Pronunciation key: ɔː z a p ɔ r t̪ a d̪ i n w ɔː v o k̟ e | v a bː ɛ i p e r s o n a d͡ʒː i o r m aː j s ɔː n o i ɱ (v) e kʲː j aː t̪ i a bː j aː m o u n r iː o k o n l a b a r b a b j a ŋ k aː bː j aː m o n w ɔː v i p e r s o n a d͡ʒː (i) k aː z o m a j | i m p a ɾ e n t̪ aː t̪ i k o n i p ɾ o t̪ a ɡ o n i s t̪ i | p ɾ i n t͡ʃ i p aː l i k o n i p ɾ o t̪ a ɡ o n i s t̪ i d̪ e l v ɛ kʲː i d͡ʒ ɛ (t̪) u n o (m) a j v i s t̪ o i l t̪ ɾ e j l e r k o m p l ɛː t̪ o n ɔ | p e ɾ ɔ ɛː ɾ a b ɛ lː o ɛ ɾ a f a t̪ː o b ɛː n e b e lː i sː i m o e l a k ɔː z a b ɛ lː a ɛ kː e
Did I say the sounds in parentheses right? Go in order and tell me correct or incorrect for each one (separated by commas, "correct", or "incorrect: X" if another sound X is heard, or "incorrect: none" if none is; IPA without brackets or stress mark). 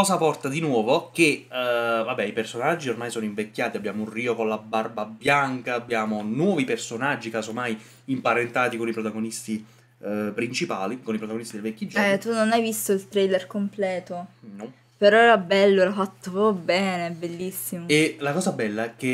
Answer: correct, correct, correct, incorrect: n